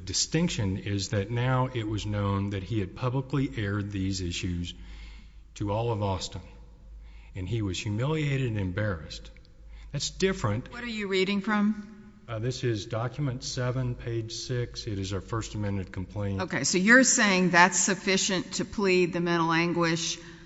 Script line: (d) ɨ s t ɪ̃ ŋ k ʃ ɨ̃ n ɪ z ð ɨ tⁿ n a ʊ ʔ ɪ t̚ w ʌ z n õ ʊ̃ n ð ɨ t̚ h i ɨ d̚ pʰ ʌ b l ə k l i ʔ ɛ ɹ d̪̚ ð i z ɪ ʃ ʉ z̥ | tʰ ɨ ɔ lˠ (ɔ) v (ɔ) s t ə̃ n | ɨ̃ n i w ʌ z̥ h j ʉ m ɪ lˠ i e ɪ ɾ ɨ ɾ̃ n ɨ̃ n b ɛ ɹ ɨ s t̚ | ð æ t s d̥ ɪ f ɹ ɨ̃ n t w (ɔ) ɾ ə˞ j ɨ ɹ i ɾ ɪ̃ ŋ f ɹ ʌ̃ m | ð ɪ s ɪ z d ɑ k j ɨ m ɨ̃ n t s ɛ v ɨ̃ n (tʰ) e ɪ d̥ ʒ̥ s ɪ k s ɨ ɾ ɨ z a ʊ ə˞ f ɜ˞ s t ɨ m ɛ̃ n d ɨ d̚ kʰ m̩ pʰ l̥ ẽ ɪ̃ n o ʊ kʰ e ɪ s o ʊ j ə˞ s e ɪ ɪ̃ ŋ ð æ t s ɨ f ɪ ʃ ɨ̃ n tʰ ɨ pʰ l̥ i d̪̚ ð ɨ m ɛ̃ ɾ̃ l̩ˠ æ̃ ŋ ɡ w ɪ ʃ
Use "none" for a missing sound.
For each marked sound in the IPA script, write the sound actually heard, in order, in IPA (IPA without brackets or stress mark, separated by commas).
d, ʌ, ɔ, ʌ, pʰ